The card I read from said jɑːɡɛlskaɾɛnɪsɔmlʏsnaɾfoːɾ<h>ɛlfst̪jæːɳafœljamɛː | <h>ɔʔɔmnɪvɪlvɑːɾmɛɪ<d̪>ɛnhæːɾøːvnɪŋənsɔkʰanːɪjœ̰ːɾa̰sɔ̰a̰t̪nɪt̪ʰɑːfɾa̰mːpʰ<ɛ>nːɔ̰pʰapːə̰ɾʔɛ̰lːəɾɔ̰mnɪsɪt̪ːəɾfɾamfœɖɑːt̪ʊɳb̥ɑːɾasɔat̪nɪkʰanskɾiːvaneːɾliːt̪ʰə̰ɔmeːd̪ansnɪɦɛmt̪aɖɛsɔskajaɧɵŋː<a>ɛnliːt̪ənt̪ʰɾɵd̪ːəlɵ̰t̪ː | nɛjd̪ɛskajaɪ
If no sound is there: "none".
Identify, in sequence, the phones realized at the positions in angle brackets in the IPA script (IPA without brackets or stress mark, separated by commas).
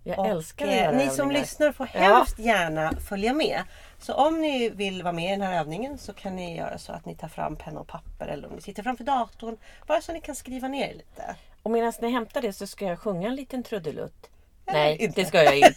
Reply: h, s, d̪, ɛ, a